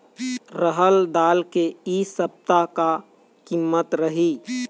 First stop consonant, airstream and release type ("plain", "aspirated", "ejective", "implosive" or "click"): plain